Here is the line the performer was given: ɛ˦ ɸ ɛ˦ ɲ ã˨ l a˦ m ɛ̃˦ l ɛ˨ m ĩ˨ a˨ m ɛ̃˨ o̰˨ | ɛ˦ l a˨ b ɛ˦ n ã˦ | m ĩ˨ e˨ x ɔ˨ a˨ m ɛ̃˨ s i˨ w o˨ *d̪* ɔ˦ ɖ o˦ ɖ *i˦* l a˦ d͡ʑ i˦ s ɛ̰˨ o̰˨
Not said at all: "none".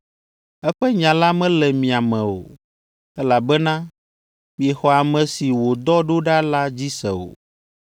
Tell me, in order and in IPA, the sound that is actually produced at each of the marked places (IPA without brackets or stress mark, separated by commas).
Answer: d̪, a˦